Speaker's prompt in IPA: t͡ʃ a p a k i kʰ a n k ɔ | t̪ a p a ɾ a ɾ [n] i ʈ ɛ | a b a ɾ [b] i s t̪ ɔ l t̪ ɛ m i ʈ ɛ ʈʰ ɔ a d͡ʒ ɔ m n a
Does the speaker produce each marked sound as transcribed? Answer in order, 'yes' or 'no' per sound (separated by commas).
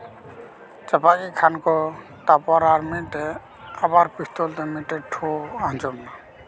no, no